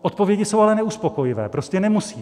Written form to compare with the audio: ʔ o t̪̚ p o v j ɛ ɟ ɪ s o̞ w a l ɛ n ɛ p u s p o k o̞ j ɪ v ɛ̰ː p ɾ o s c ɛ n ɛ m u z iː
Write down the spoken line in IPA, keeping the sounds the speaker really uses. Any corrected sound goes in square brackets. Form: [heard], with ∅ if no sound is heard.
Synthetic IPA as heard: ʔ o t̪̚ p o v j ɛ ɟ ɪ s o̞ w a l ɛ n ɛ [∅] u s p o k o̞ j ɪ v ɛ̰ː p ɾ o s c ɛ n ɛ m u [s] iː

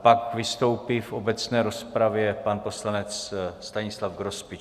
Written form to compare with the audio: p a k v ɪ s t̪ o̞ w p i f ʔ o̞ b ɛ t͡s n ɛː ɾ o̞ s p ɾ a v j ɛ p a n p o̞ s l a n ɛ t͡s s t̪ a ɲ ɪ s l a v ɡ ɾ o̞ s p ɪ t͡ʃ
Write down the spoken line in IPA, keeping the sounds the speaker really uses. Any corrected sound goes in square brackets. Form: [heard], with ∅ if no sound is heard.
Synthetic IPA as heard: p a k v ɪ s t̪ o̞ w p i f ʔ o̞ b ɛ t͡s n ɛː ɾ o̞ s p ɾ a v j ɛ p a n p o̞ s l a n ɛ t͡s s t̪ a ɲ ɪ s l a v ɡ ɾ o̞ s p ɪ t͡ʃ

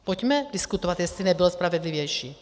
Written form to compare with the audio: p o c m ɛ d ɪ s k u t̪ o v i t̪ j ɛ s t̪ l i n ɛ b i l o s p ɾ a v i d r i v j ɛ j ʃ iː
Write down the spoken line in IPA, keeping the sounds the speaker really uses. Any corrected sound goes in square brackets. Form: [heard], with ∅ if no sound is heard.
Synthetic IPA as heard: p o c m ɛ d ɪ s k u t̪ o v [a] t̪ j ɛ s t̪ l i n ɛ b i l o s p ɾ a v [ɛ] d [l] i v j ɛ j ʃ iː

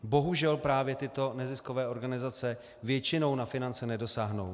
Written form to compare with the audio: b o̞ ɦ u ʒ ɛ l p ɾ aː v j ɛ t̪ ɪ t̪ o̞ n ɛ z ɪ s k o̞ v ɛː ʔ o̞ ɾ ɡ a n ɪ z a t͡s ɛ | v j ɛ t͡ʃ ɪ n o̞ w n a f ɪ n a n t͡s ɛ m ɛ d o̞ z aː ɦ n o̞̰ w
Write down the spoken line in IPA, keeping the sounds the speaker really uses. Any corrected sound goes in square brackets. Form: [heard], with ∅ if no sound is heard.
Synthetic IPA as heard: b o̞ ɦ u ʒ ɛ l p ɾ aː v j ɛ t̪ ɪ t̪ o̞ n ɛ z ɪ s k o̞ v ɛː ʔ o̞ ɾ ɡ a n ɪ z a t͡s ɛ | v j ɛ t͡ʃ ɪ n o̞ w n a f ɪ n a n t͡s ɛ [n] ɛ d o̞ [s] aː ɦ n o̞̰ w

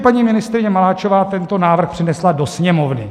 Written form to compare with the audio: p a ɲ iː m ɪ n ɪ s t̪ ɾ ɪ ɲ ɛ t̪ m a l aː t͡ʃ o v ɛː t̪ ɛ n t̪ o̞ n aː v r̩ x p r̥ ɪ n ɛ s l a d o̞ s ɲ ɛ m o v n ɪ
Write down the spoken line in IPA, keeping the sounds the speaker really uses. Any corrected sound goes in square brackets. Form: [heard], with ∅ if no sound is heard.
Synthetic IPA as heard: p a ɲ iː m ɪ n ɪ s t̪ ɾ ɪ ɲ ɛ [∅] m a l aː t͡ʃ o v [aː] t̪ ɛ n t̪ o̞ n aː v r̩ x p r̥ ɪ n ɛ s l a d o̞ s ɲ ɛ m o v n ɪ

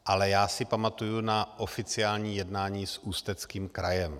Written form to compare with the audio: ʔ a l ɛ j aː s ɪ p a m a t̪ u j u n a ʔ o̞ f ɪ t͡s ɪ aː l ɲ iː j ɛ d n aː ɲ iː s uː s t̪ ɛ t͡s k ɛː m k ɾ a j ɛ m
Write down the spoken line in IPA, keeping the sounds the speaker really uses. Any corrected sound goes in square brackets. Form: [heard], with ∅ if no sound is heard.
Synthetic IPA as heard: ʔ a l ɛ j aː s ɪ p a m a t̪ u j u n a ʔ o̞ f ɪ t͡s ɪ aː l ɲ iː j ɛ d n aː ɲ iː s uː s t̪ ɛ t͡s k [iː] m k ɾ a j ɛ m

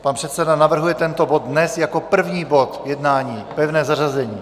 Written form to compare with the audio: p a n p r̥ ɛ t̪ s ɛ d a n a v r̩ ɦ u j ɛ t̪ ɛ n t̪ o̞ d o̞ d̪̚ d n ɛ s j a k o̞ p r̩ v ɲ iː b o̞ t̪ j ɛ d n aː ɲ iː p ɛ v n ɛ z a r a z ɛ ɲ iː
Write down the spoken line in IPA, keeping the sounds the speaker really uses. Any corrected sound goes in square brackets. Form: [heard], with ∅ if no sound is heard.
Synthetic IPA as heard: p a n p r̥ ɛ t̪ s ɛ d a n a v r̩ ɦ u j ɛ t̪ ɛ n t̪ o̞ [b] o̞ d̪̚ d n ɛ s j a k o̞ p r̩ v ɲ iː b o̞ t̪ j ɛ d n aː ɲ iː p ɛ v n [ɛː] z a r a z ɛ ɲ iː

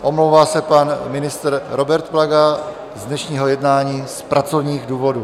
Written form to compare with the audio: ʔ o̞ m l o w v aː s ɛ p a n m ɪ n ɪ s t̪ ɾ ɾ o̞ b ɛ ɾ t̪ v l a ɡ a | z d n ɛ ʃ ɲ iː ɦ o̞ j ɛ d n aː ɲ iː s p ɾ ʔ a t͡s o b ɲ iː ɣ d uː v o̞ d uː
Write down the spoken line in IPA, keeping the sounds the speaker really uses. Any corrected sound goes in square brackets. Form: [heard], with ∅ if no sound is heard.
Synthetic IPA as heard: ʔ o̞ m l o w v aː s ɛ p a n m ɪ n ɪ s t̪ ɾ ɾ o̞ b ɛ ɾ t̪ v l a ɡ a | z d n ɛ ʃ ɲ iː ɦ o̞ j ɛ d n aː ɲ iː s p ɾ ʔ a t͡s o [v] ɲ iː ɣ d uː v o̞ d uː

